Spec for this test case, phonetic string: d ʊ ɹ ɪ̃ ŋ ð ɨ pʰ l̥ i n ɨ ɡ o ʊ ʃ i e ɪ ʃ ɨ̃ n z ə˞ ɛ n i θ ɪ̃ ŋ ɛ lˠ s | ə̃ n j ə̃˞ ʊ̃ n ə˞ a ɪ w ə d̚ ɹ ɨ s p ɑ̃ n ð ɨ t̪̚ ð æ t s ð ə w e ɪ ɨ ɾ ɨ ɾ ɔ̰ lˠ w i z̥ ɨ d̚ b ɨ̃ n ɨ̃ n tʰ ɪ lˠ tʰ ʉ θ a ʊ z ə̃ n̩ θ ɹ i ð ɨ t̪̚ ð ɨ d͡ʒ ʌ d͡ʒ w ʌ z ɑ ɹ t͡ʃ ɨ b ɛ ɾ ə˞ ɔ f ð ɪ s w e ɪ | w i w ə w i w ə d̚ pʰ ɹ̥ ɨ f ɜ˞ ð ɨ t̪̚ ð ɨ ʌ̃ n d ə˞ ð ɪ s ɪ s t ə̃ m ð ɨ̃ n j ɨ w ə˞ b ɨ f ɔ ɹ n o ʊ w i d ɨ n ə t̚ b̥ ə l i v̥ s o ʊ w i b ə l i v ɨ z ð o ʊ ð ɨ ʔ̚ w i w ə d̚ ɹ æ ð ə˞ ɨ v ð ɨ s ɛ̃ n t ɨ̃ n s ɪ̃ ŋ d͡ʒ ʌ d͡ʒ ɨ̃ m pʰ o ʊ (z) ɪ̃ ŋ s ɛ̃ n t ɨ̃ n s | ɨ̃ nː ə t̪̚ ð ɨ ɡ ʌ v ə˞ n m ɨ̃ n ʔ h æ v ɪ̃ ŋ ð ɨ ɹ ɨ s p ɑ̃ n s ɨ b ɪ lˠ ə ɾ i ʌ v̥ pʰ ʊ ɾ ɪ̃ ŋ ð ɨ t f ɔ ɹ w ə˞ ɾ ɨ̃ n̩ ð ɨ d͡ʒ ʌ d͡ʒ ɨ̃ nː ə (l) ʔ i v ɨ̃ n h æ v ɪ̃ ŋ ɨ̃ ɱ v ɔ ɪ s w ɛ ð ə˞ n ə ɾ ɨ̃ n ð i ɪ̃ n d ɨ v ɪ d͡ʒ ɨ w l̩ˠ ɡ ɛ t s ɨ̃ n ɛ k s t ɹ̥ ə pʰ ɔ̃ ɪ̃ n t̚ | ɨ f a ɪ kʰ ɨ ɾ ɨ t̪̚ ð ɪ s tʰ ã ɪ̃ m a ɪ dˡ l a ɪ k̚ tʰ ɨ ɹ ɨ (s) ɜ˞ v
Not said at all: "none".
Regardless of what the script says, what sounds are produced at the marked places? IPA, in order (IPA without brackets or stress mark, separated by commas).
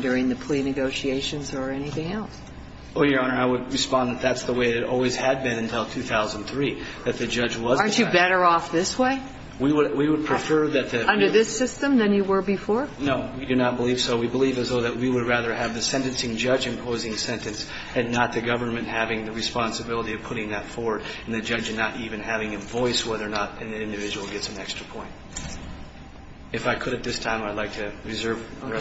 z, ɾ, z